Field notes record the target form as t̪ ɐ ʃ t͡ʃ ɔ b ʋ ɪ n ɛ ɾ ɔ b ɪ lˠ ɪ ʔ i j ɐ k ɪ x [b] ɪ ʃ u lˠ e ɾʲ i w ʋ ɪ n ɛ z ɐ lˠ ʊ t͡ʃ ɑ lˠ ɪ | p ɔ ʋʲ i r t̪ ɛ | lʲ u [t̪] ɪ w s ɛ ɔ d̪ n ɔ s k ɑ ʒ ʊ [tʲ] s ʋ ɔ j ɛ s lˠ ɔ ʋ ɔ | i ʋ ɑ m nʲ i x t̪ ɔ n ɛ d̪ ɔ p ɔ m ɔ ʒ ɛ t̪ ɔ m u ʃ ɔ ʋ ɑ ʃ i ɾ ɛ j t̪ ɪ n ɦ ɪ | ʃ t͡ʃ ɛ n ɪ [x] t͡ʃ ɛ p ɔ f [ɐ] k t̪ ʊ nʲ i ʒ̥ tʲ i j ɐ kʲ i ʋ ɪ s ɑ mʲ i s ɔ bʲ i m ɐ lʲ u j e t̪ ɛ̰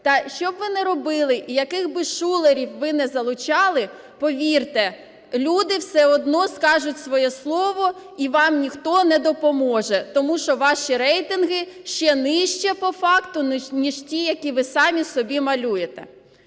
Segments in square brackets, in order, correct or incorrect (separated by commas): correct, incorrect, correct, incorrect, incorrect